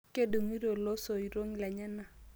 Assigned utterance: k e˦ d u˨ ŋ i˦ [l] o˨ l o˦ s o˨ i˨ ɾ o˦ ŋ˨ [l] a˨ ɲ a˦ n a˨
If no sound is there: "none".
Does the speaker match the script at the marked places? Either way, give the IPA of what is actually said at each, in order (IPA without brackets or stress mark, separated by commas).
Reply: ɾ, l